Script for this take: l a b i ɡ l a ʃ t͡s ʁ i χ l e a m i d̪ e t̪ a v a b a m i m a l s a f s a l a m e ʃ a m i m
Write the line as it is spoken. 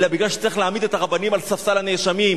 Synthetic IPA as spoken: l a b i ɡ l a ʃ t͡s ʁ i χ l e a m i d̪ e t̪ a ʁ a b a n i m a l s a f s a l a n e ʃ a m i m